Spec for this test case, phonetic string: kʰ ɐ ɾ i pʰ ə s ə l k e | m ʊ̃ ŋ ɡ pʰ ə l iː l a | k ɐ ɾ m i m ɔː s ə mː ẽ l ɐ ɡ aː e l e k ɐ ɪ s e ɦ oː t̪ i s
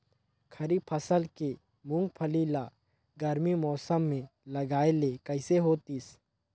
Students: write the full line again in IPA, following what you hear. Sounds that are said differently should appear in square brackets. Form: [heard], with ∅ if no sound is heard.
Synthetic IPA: kʰ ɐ ɾ i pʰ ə s ə l k e | m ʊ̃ ŋ ɡ pʰ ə l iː l a | [ɡ] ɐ ɾ m i m ɔː s ə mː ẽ l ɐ ɡ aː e l e k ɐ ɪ s e ɦ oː t̪ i s